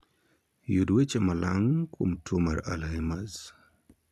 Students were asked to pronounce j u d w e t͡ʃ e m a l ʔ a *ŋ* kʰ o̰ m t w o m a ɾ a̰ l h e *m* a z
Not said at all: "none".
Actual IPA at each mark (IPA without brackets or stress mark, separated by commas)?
ŋ, m